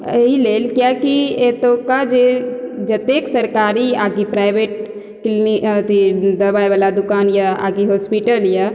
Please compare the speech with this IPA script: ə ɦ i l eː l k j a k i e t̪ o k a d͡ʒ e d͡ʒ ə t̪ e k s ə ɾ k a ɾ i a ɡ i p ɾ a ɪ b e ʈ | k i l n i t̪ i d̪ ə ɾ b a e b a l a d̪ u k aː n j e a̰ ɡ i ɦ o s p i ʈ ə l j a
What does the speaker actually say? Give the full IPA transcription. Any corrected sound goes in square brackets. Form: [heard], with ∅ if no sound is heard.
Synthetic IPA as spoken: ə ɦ i l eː l k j a k i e t̪ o k a d͡ʒ e d͡ʒ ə t̪ e k s ə ɾ k a ɾ i a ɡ i p ɾ a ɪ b e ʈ | k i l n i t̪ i d̪ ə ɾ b a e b a l a d̪ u k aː n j [a] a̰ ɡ i ɦ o s p i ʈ ə l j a